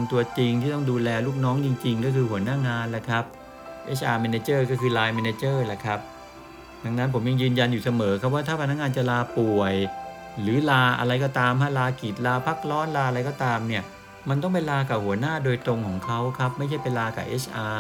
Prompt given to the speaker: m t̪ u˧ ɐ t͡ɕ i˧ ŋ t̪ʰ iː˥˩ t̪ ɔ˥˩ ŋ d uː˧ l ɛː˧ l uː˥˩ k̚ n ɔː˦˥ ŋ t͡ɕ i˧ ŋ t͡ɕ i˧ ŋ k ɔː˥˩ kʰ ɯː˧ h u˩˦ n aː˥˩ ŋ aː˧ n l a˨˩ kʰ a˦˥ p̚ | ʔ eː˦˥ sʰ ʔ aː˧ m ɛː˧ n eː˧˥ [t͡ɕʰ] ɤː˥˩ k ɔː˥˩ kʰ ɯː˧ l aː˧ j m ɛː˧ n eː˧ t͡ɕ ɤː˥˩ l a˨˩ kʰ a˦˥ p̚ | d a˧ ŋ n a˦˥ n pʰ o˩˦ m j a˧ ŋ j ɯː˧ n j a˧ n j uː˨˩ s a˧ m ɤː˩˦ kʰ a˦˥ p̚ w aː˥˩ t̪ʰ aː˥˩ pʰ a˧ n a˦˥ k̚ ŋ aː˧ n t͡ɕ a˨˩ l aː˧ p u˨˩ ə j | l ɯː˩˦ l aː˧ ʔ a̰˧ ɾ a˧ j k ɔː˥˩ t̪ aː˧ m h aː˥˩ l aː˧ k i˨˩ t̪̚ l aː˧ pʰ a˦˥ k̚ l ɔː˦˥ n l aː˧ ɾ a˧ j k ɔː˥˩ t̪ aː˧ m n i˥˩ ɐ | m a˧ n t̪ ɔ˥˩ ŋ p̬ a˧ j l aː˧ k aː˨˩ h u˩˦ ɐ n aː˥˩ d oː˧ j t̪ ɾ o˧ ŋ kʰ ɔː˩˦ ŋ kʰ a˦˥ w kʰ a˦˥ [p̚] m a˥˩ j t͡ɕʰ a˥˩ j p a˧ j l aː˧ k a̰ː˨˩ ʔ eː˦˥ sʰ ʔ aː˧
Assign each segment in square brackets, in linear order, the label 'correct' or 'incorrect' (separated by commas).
incorrect, correct